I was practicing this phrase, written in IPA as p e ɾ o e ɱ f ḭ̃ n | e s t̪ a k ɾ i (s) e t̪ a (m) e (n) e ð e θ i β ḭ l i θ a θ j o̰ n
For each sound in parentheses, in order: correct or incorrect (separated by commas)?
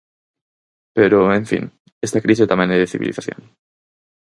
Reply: correct, correct, correct